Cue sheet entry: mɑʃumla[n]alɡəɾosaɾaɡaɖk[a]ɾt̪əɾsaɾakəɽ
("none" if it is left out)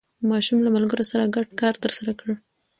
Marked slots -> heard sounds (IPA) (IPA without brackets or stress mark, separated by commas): m, ɑ